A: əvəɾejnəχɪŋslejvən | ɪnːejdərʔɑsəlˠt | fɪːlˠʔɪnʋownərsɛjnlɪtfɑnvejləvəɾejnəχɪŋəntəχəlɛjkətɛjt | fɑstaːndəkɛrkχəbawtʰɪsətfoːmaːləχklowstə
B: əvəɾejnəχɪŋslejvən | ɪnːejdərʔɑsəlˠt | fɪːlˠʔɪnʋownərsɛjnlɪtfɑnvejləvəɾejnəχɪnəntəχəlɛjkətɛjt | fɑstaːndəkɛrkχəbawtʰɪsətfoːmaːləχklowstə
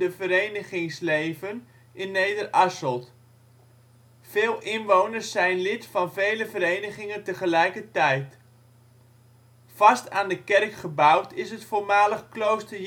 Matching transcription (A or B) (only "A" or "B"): A